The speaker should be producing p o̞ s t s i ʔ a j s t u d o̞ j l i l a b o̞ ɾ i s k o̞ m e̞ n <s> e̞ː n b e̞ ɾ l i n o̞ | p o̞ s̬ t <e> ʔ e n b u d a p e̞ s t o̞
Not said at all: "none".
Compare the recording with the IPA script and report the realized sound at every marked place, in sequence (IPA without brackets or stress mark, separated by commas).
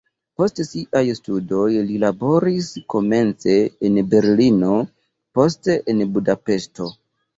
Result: t͡s, e